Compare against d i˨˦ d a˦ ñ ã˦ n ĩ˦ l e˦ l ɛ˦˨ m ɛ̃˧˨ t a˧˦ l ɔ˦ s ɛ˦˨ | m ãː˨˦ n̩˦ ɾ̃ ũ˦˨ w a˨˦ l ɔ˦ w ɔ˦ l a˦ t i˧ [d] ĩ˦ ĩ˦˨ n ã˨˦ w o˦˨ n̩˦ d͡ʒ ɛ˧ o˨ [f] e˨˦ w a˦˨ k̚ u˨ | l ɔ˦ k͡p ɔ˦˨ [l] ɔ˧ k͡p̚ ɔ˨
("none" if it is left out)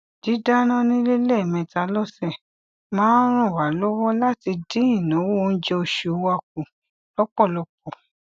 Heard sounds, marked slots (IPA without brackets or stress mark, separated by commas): d, ʃ, l